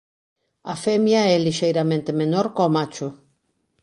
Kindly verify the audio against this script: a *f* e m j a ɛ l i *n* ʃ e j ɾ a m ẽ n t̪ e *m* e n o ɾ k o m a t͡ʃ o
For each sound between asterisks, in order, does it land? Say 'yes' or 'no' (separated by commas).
yes, no, yes